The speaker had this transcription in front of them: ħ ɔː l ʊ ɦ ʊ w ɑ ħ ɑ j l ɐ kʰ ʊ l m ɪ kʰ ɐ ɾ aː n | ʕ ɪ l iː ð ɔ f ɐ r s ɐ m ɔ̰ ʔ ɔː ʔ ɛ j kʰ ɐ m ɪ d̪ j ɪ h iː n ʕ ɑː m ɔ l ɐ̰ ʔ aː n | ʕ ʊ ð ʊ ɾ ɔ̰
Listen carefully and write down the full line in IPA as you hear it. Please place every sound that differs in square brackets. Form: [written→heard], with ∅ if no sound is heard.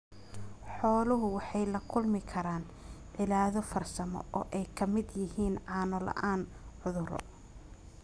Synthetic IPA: ħ ɔː l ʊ ɦ ʊ w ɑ ħ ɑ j l ɐ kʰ ʊ l m ɪ kʰ ɐ ɾ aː n | ʕ ɪ l [iː→aː] ð ɔ f ɐ r s ɐ m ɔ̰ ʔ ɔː ʔ ɛ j kʰ ɐ m ɪ d̪ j ɪ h iː n ʕ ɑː [m→n] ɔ l ɐ̰ ʔ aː n | ʕ ʊ ð ʊ ɾ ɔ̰